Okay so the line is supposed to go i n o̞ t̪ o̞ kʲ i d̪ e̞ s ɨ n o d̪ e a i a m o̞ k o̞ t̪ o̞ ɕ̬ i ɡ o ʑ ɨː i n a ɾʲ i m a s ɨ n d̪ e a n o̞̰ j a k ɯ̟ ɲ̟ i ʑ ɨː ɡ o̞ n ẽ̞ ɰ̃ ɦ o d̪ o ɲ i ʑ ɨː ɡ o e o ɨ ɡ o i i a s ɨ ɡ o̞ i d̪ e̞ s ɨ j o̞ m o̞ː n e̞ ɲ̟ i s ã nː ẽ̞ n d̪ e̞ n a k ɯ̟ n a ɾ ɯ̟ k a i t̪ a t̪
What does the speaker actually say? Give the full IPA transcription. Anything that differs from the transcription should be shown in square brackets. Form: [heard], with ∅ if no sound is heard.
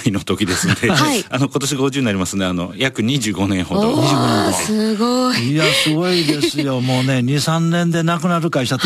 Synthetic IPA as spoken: i n o̞ t̪ o̞ kʲ i d̪ e̞ s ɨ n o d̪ e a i a [n] o̞ k o̞ t̪ o̞ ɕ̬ i ɡ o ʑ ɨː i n a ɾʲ i m a s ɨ n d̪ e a n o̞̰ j a k ɯ̟ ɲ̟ i ʑ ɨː ɡ o̞ n ẽ̞ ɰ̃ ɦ o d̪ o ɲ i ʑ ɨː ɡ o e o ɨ ɡ o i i a s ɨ ɡ o̞ i d̪ e̞ s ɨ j o̞ m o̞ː n e̞ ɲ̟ i s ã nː ẽ̞ n d̪ e̞ n a k ɯ̟ n a ɾ ɯ̟ k a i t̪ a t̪